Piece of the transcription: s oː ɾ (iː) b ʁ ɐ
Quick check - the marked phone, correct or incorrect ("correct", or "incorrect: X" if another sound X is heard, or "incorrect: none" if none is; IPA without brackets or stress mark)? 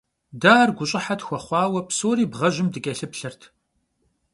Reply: correct